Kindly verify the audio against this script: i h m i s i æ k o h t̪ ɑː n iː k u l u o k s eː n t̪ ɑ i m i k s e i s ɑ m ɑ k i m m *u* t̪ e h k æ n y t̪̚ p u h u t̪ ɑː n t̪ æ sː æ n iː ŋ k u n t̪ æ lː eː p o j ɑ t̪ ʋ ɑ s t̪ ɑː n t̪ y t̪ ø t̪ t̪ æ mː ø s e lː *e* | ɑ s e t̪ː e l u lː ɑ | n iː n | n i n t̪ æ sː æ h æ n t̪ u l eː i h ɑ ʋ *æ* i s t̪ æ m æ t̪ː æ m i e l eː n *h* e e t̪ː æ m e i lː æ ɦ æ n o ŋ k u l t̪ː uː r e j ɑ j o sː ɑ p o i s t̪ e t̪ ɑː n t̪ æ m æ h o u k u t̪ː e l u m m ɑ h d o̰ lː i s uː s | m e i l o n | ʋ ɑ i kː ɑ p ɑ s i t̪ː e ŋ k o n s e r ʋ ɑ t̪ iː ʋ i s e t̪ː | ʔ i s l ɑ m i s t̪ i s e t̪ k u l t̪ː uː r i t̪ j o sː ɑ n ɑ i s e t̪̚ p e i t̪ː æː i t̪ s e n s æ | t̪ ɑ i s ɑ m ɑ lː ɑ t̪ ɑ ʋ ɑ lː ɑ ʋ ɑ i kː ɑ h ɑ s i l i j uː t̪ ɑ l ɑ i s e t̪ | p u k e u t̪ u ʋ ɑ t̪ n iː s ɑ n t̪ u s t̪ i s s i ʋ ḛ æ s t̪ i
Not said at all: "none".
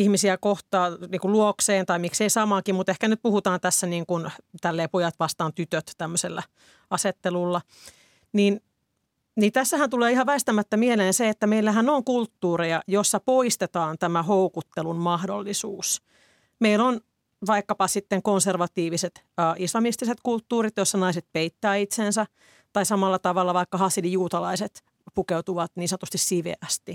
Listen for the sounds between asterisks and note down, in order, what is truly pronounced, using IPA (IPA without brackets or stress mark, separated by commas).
u, æ, æ, s